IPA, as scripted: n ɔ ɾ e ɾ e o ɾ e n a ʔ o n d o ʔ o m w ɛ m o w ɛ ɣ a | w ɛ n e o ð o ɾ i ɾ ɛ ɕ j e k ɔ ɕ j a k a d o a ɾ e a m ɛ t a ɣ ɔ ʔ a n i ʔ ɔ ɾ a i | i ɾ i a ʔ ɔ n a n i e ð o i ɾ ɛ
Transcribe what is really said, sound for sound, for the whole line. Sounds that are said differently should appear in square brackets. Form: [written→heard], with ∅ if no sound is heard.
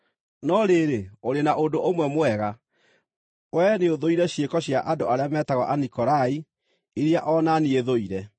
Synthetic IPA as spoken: n ɔ ɾ e ɾ e o ɾ e n a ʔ o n d o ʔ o m w ɛ m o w ɛ ɣ a | w ɛ n e o ð o [ɾ→∅] i ɾ ɛ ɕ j e k ɔ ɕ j a [k→ʔ] a d o a ɾ e a m ɛ t a ɣ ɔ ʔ a n i [ʔ→k] ɔ ɾ a i | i ɾ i a ʔ ɔ n a n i e ð o i ɾ ɛ